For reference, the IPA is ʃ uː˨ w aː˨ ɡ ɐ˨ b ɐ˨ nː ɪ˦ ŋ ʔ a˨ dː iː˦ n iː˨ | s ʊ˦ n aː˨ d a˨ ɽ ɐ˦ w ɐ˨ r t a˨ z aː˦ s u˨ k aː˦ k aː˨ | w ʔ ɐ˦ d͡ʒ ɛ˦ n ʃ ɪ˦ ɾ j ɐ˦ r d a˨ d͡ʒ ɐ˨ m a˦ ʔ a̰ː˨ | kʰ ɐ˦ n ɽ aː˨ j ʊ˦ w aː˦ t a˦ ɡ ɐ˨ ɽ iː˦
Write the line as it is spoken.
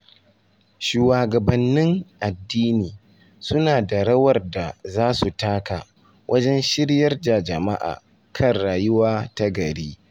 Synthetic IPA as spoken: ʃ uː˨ w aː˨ ɡ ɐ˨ b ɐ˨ nː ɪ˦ ŋ ʔ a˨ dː iː˦ n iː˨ | s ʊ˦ n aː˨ d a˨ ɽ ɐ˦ w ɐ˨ r d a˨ z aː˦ s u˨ t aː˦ k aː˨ | w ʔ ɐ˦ d͡ʒ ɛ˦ n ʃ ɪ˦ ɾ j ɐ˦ r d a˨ d͡ʒ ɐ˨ m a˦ ʔ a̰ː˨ | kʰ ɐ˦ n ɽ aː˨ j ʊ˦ w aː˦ t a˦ ɡ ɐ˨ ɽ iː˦